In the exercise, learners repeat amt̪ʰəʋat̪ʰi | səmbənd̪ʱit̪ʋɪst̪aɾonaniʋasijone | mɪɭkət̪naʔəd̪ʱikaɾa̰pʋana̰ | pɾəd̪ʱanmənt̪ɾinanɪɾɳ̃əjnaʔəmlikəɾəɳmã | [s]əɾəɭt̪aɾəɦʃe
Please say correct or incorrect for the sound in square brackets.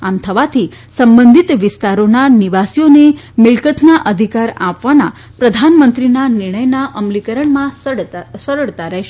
correct